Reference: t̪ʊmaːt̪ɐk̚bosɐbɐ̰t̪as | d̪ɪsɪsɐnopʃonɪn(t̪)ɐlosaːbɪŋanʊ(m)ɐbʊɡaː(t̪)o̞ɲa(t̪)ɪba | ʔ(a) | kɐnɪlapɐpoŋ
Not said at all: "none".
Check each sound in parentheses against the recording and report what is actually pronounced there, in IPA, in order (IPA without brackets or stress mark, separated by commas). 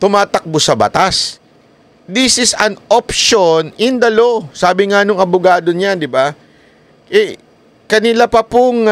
d̪, ŋ, d̪, d̪, ɛ